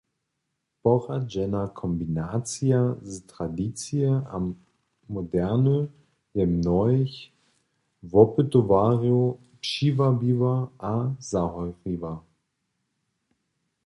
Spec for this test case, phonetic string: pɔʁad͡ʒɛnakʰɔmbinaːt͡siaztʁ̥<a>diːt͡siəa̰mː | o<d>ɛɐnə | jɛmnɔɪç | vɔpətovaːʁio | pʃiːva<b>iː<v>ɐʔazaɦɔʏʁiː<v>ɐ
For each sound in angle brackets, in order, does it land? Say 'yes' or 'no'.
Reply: yes, yes, yes, yes, yes

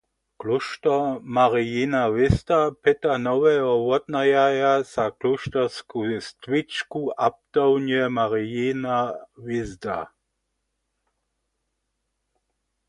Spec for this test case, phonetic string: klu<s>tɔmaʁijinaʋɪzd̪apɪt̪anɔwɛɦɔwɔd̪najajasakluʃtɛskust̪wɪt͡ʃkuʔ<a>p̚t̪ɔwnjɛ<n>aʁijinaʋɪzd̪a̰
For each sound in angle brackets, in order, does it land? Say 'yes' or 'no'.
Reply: no, yes, no

